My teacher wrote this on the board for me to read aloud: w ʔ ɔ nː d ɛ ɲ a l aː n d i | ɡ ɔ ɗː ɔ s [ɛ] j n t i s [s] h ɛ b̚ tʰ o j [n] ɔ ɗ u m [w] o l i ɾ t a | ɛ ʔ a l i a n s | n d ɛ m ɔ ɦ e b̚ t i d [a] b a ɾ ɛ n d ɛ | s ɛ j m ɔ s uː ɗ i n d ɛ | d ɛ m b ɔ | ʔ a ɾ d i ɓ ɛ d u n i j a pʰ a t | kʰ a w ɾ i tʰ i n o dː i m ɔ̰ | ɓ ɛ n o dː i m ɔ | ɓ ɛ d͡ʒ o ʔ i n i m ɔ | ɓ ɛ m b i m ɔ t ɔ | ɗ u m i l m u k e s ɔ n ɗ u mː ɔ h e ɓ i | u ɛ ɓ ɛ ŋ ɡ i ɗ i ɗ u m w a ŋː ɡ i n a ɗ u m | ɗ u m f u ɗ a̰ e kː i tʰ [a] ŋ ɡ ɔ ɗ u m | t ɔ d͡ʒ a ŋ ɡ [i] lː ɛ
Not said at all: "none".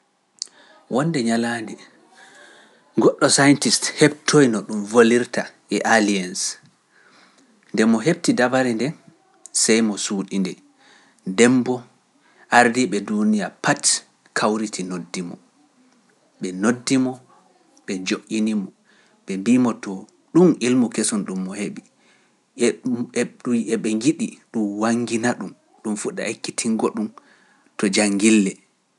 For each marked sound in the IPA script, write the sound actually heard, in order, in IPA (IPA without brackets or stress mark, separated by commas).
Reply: a, t, n, v, a, i, i